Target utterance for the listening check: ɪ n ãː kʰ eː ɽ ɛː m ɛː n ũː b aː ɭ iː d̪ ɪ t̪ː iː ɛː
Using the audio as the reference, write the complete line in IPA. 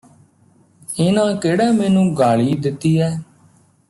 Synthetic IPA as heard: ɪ n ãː k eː ɽ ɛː m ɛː n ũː ɡ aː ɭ iː d̪ ɪ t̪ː iː ɛː